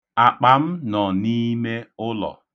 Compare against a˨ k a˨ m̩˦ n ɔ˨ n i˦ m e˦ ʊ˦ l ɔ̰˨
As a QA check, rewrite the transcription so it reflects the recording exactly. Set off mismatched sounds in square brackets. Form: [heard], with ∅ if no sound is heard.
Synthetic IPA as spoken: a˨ [k͡p] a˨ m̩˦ n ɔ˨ n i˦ m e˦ ʊ˦ l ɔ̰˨